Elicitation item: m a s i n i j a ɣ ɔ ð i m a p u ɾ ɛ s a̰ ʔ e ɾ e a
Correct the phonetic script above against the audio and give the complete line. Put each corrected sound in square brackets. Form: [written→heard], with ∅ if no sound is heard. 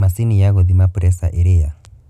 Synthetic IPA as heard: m a s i n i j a ɣ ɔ ð i m a p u ɾ ɛ s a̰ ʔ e ɾ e a